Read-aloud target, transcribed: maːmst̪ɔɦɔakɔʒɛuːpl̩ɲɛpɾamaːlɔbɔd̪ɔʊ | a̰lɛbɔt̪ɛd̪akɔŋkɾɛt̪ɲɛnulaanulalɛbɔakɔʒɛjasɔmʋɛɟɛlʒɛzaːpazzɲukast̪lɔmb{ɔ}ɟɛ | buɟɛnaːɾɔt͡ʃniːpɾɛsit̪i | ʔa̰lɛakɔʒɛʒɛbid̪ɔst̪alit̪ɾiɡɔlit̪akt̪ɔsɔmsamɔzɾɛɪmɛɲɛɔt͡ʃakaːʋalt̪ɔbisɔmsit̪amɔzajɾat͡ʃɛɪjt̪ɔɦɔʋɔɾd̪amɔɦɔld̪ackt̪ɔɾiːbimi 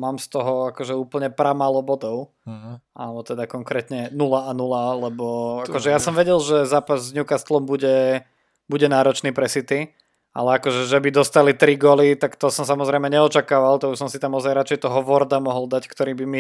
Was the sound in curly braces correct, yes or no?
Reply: no